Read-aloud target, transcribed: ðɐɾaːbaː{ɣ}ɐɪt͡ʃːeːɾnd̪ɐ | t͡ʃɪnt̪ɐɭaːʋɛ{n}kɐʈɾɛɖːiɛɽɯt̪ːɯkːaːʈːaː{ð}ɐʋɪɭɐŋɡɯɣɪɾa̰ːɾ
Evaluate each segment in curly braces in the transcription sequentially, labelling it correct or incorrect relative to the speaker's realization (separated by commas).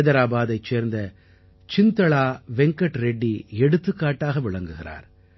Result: incorrect, incorrect, incorrect